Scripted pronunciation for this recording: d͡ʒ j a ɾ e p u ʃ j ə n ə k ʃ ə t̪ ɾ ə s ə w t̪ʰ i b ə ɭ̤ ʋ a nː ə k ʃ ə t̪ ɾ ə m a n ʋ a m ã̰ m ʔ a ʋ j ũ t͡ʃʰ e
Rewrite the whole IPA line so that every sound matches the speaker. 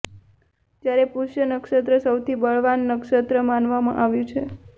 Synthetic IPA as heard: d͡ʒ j a ɾ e p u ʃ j ə n ə k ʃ ə t̪ ɾ ə s ə w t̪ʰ i b ə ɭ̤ ʋ a nː ə k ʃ ə t̪ ɾ ə m a n ʋ a m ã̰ ʔ a ʋ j ũ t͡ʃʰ e

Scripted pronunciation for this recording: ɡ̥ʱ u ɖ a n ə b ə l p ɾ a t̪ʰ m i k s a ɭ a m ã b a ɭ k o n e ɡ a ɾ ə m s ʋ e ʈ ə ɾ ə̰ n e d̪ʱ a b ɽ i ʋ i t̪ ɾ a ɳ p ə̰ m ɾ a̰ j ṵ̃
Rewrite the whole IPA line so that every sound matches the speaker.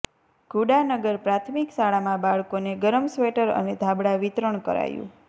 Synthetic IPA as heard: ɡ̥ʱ u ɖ a n ə ɡ ə ɾ p ɾ a t̪ʰ m i k s a ɭ a m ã b a ɭ k o n e ɡ ə ɾ ə m s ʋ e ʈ ə ɾ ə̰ n e d̪ʱ a b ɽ a ʋ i t̪ ɾ ə ɳ k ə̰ ɾ a̰ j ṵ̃

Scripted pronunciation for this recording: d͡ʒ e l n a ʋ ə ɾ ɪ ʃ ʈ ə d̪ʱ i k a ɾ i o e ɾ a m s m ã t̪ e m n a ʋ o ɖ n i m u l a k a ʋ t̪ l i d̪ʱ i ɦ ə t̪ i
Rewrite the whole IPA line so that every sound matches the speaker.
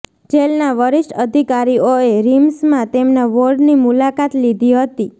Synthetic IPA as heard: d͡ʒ e l n a ʋ ə ɾ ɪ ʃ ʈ ə d̪ʱ i k a ɾ i o e ɾ i m s m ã t̪ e m n a ʋ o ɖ n i m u l a k a t̪ l i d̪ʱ i ɦ ə t̪ i

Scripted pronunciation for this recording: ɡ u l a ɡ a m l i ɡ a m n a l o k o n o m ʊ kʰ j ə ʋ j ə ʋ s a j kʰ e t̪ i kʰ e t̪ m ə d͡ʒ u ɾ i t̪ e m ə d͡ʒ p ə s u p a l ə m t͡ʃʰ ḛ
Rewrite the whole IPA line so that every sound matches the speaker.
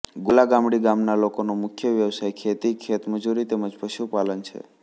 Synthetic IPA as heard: ɡ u l a ɡ a m ɽ i ɡ a m n a l o k o n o m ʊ kʰ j ə ʋ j ə ʋ s a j kʰ e t̪ i kʰ e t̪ m ə d͡ʒ u ɾ i t̪ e m ə d͡ʒ p ə ʃ u p a l ə n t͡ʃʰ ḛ

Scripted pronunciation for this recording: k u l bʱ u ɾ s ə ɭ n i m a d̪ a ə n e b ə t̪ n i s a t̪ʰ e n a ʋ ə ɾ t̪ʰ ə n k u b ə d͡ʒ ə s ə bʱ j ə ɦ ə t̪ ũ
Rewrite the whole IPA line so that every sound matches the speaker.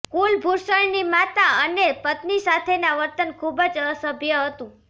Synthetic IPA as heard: k u l bʱ u ɾ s ə ɭ n i m a t̪ a ə n e p ə t̪ n i s a t̪ʰ e n a ʋ ə ɾ t̪ ə n kʰ u b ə d͡ʒ ə s ə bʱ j ə ɦ ə t̪ ũ

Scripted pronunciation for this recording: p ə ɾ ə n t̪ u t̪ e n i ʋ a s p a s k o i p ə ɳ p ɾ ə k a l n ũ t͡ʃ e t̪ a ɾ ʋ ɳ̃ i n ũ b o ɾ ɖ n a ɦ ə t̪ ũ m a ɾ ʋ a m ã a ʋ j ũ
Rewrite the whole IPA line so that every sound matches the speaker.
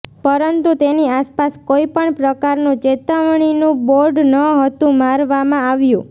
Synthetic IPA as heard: p ə ɾ ə n t̪ u t̪ e n i a s p a s k o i p ə ɳ p ɾ ə k a ɾ n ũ t͡ʃ e t̪ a ʋ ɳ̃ i n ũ b o ɾ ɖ n ə ɦ ə t̪ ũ m a ɾ ʋ a m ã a ʋ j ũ

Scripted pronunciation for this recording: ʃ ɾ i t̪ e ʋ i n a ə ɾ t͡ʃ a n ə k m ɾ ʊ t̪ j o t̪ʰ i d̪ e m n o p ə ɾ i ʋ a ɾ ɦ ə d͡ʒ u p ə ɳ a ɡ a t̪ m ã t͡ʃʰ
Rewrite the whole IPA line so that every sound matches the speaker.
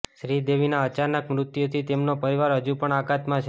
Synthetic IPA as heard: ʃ ɾ i d̪ e ʋ i n a ə t͡ʃ a n ə k m ɾ ʊ t̪ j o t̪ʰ i t̪ e m n o p ə ɾ i ʋ a ɾ ɦ ə d͡ʒ u p ə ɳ a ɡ a t̪ m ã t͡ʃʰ

